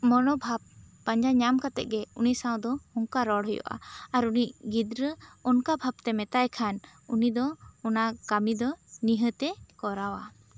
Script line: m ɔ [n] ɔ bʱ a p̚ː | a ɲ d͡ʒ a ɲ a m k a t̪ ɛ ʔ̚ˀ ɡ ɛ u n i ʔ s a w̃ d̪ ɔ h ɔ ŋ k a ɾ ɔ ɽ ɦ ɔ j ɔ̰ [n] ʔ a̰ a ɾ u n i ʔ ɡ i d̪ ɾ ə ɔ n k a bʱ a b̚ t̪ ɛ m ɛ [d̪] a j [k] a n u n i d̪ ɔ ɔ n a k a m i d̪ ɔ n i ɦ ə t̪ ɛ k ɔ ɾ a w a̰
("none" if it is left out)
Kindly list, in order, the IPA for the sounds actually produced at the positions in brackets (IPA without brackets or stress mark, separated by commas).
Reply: n, none, t̪, kʰ